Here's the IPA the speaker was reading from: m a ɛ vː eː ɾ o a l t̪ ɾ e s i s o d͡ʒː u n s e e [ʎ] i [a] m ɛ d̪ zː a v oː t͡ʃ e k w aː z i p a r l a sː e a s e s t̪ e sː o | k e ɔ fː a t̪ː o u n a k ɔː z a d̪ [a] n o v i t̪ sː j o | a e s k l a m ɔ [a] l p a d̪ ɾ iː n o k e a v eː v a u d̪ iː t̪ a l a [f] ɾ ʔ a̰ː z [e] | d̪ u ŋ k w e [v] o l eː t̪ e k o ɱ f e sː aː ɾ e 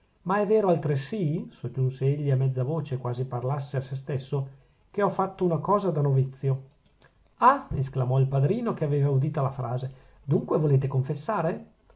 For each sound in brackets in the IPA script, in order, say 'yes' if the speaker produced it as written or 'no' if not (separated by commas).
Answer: no, yes, yes, no, yes, yes, yes